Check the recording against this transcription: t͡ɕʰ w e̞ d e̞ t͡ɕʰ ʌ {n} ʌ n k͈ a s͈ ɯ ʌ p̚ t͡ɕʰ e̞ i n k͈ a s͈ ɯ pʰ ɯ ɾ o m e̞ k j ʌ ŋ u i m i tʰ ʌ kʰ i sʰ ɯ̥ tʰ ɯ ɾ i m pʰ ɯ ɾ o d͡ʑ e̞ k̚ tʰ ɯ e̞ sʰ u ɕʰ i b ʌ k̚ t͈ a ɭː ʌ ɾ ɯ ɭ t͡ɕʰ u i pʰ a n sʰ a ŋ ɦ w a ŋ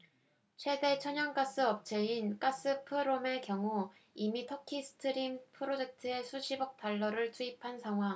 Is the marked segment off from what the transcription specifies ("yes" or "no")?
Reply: yes